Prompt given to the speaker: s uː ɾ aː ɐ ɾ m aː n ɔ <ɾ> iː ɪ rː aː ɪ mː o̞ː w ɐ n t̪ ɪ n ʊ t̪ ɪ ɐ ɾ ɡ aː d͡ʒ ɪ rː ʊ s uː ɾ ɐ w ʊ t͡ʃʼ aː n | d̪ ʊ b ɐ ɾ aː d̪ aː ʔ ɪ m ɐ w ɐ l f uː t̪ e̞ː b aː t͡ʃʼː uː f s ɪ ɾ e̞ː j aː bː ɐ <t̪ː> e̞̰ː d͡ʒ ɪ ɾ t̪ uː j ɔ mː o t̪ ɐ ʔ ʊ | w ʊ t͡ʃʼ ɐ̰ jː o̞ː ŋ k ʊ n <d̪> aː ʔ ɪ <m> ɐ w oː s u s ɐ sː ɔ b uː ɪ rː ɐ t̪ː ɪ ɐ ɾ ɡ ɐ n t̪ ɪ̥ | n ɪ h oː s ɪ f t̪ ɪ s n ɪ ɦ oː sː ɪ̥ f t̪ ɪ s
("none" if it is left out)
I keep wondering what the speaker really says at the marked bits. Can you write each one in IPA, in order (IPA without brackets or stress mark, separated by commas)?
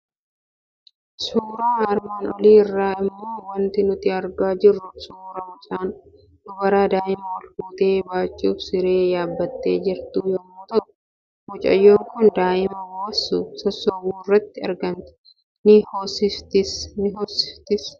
l, t̪ː, d̪, m